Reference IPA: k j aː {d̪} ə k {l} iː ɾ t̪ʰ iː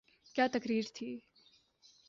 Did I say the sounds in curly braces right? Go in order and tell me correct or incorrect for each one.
incorrect: t̪, incorrect: ɾ

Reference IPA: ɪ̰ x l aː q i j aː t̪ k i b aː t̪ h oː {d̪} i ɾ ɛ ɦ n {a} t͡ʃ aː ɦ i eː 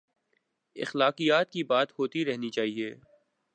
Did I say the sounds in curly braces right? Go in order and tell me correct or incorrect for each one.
incorrect: t̪, incorrect: i

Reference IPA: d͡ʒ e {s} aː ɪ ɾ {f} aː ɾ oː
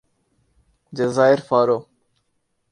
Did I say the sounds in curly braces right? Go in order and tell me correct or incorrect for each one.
incorrect: z, correct

